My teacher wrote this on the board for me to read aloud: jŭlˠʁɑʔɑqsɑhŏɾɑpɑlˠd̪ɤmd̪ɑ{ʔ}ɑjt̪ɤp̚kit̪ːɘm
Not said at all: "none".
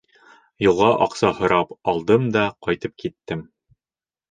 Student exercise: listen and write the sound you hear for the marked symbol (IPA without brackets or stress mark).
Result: q